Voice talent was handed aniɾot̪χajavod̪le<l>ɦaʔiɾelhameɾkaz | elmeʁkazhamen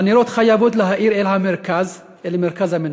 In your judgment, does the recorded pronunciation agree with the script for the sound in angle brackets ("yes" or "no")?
no